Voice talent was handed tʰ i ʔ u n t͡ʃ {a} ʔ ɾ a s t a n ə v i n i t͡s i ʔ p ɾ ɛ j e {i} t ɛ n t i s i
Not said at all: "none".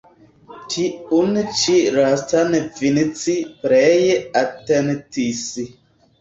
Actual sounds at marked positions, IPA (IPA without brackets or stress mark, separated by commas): i, a